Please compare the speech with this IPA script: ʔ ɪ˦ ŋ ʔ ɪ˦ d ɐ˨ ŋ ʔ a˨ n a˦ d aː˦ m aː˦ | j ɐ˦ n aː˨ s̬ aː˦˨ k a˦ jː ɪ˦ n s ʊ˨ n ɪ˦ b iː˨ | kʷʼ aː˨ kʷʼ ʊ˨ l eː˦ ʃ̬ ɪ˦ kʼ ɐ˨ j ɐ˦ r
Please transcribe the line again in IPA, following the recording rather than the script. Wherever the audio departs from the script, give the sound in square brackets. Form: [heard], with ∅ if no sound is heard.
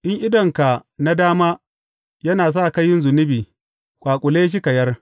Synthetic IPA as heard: ʔ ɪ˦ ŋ ʔ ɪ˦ d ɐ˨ ŋ [k] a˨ n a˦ d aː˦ m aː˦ | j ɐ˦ n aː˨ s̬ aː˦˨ k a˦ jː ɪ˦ n [z] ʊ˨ n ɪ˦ b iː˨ | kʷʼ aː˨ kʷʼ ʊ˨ l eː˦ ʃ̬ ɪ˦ [k] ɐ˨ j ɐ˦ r